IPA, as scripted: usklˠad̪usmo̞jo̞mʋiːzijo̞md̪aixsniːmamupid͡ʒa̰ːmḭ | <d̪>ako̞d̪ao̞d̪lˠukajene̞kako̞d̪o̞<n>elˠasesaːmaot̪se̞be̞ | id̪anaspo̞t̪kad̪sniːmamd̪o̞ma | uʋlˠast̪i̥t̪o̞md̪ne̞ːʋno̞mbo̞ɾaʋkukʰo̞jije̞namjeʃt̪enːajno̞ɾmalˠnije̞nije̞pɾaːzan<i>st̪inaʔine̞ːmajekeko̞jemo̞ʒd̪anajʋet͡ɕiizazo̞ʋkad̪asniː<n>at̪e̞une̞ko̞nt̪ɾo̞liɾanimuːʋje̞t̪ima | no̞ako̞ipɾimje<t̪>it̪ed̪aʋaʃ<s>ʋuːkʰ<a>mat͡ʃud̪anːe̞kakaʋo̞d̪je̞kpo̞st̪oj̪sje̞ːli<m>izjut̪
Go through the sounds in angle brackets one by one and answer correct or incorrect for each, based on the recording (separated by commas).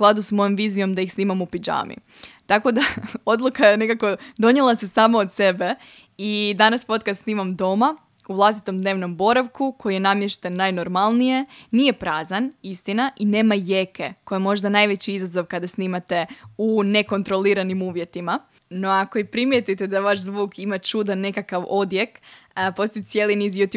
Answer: incorrect, incorrect, correct, incorrect, correct, incorrect, incorrect, incorrect